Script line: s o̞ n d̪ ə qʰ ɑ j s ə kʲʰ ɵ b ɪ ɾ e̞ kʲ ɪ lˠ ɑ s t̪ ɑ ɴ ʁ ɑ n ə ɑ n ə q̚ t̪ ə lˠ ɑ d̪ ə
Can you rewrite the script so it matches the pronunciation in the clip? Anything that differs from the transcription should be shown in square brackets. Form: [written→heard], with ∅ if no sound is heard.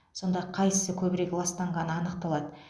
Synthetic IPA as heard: s o̞ n d̪ [ə→ɑ] qʰ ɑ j s ə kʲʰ ɵ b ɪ ɾ e̞ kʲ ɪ lˠ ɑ s t̪ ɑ ɴ ʁ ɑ n ə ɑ n ə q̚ t̪ [ə→ɑ] lˠ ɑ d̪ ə